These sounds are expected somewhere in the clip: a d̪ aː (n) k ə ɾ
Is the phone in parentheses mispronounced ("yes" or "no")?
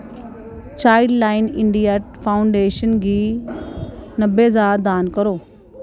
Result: no